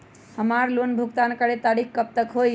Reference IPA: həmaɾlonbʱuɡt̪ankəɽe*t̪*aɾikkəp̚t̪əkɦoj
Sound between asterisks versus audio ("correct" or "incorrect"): correct